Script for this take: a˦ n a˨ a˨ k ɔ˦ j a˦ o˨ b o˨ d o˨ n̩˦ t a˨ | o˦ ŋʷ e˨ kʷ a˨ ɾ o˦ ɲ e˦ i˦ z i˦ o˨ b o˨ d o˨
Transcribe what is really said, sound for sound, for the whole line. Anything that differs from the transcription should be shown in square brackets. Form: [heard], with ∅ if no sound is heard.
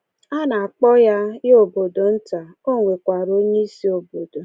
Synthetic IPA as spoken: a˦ n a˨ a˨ [k͡p] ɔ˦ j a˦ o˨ b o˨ d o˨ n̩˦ t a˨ | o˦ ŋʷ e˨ kʷ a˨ ɾ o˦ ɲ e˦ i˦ [s] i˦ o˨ b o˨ d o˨